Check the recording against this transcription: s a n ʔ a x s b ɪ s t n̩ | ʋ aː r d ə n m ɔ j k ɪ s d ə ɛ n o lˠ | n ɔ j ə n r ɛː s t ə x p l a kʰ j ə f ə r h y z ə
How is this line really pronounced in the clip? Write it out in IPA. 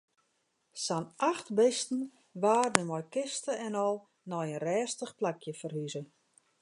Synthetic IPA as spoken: s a n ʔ a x t b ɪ s t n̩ | ʋ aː r d ə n m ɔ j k ɪ s t ə ɛ n ɔ lˠ | n ɔ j ə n r ɛː s t ə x p l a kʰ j ə f ə r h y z ə